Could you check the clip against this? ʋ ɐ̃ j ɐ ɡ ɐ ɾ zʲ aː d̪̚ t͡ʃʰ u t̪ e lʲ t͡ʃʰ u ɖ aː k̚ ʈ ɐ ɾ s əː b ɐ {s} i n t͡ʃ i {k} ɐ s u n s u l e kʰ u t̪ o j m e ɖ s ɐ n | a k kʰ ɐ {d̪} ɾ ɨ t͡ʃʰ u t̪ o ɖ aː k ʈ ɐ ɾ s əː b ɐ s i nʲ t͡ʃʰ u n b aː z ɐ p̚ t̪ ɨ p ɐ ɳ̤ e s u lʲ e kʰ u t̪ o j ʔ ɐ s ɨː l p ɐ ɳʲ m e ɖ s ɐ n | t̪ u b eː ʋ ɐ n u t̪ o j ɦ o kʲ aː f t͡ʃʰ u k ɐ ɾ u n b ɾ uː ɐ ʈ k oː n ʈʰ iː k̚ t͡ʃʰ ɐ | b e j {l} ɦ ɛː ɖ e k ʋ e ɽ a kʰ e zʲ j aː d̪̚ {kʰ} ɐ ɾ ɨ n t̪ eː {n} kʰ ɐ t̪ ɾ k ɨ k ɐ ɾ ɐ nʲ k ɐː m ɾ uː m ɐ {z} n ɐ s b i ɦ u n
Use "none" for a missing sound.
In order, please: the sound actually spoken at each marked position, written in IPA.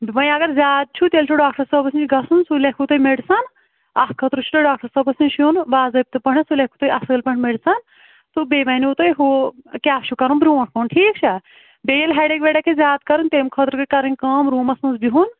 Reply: s, ɡ, t̪, l, k, m, s

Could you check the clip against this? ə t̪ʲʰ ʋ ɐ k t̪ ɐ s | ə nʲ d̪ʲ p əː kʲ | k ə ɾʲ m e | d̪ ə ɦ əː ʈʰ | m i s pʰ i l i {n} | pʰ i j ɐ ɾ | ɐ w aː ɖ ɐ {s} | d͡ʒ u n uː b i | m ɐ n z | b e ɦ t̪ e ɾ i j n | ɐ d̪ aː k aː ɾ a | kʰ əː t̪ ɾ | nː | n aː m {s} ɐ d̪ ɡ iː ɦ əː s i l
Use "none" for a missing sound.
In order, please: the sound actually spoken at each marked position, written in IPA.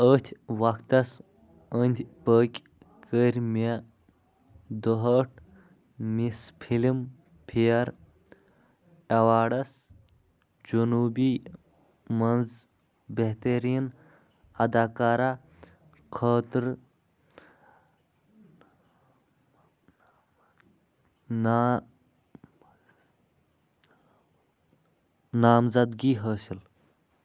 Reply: m, s, z

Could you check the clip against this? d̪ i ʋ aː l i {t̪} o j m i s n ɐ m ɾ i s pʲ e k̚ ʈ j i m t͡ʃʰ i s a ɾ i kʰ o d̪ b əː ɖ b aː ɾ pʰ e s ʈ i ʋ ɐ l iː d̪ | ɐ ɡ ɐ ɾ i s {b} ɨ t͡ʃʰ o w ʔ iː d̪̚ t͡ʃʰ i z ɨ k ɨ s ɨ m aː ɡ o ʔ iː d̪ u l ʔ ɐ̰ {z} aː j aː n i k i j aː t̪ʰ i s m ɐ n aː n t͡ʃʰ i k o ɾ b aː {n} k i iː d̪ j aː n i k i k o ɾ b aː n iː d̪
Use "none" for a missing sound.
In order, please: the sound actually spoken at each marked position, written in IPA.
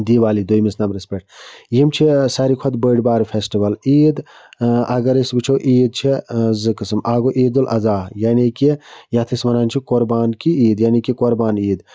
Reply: d̪, b, z, n

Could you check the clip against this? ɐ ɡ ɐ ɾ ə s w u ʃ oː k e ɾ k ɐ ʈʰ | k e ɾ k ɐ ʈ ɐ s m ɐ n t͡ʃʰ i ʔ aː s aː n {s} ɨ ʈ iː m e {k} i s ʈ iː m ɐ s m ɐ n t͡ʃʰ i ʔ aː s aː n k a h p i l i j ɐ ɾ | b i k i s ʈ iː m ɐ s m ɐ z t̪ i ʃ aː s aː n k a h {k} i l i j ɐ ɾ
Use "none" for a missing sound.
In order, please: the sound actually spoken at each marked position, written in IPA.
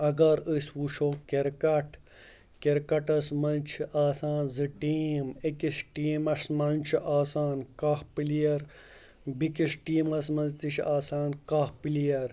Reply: z, k, p

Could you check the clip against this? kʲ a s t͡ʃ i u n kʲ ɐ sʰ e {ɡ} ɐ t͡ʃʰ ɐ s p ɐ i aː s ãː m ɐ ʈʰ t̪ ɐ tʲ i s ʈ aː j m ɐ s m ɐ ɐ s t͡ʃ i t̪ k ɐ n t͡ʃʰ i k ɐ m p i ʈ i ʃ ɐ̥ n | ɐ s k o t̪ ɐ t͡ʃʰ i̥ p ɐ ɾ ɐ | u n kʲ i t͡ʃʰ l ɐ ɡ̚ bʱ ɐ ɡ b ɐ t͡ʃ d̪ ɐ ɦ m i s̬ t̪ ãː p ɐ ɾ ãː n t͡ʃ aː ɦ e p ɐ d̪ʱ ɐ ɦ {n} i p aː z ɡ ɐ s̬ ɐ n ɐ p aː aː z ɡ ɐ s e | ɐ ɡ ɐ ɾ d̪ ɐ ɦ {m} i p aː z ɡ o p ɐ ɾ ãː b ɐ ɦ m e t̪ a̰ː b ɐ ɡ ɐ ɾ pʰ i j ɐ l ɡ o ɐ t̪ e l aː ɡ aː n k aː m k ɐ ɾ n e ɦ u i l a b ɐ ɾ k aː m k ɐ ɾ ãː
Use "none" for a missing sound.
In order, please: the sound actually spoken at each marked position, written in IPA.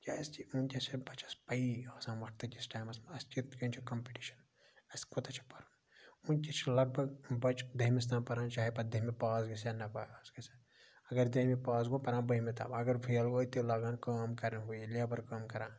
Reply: b, m, m

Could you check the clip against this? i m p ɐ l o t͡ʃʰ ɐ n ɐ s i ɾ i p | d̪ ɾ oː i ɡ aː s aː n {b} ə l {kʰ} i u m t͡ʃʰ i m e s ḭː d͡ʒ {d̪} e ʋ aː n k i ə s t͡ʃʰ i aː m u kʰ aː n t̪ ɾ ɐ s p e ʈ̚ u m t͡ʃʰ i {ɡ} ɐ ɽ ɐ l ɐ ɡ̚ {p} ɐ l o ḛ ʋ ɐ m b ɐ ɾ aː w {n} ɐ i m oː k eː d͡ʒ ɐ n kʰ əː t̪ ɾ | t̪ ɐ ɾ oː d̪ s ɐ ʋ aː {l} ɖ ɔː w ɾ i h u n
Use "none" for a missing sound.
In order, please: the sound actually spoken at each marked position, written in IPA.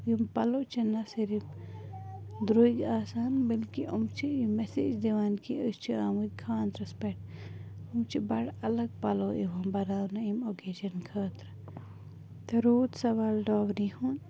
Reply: b, k, d̪, b, p, n, l

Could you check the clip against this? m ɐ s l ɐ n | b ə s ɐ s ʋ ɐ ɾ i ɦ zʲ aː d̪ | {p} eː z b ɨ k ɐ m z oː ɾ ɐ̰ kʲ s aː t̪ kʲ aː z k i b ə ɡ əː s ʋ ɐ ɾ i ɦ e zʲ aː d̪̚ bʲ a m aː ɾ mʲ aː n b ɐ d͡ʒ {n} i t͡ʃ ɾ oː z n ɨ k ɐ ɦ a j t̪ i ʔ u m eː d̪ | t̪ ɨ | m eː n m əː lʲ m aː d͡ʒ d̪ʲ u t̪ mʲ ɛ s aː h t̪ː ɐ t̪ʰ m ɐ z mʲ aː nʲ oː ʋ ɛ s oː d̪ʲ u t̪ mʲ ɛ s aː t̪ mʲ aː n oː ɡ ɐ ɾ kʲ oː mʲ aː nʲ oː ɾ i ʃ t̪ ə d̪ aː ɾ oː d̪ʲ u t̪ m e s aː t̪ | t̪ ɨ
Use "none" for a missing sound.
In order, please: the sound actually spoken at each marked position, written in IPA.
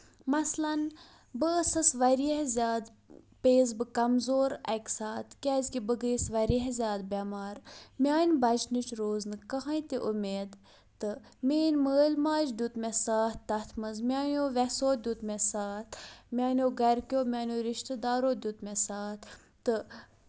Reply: p, n

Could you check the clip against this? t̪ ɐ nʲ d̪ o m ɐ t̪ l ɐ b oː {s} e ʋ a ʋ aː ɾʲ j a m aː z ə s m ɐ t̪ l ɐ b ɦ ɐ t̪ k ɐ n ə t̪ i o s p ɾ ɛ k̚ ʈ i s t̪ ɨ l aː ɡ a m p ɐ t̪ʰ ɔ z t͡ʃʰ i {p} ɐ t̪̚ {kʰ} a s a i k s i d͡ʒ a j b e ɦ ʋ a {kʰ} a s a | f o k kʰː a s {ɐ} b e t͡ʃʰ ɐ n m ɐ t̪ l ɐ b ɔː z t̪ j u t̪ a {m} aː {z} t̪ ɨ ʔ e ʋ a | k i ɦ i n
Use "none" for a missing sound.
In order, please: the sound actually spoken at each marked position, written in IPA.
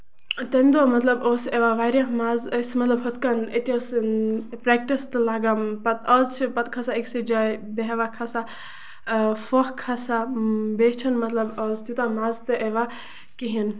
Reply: s, p, kʰ, kʰ, a, m, z

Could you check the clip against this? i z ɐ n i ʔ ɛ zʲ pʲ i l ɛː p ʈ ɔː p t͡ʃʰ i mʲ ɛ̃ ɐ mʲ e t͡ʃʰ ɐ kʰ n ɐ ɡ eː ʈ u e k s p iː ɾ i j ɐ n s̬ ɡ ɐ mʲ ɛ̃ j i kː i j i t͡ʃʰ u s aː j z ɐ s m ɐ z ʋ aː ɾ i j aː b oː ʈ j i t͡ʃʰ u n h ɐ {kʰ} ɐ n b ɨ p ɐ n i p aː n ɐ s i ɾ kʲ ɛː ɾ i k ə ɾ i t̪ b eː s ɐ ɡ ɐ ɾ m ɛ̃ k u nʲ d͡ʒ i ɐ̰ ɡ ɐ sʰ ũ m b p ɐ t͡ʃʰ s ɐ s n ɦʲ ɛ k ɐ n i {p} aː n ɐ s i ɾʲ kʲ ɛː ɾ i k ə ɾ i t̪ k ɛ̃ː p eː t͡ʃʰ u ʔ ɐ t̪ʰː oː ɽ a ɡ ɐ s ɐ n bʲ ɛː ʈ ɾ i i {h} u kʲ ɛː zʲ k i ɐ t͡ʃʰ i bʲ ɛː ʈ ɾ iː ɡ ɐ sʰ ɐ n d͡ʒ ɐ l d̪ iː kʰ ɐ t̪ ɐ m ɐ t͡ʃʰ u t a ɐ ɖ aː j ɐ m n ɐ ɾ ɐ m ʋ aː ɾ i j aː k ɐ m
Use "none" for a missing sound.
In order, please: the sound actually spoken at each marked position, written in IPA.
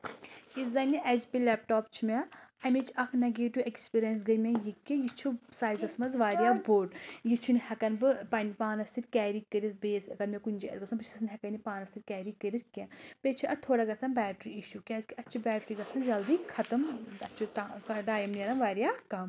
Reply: k, p, ʃ

